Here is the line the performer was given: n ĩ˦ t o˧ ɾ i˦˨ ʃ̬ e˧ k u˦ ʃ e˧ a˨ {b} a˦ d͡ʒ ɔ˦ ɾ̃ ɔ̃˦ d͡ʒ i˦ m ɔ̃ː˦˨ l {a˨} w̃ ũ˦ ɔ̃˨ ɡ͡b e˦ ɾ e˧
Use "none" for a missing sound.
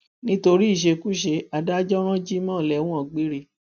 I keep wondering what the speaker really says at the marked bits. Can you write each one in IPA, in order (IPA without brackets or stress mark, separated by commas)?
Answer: d, ɛ˨